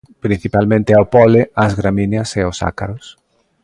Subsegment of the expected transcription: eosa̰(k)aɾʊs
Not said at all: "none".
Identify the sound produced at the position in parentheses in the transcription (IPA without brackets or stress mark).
k